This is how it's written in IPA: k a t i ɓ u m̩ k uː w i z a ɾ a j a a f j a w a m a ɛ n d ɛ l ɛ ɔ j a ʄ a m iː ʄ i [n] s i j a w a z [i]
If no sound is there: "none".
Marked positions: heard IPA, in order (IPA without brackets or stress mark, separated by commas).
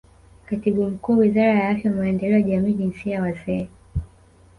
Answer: n, ɛ